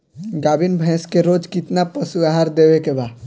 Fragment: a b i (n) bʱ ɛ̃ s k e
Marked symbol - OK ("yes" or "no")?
yes